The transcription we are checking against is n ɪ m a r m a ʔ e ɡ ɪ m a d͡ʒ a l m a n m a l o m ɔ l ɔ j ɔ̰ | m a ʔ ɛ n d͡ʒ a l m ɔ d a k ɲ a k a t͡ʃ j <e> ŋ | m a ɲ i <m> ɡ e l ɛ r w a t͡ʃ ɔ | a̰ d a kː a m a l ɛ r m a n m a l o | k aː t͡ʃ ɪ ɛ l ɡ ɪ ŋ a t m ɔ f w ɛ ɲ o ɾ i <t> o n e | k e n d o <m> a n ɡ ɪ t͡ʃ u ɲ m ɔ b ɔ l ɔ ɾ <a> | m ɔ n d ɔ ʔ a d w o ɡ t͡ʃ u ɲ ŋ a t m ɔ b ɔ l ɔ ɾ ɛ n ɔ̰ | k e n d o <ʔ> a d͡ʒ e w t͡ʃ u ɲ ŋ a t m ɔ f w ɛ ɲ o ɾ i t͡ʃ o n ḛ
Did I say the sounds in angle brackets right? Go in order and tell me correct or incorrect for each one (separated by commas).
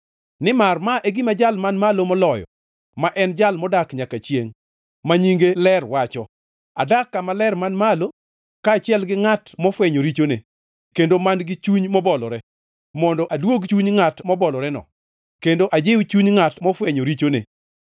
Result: correct, incorrect, incorrect, correct, incorrect, correct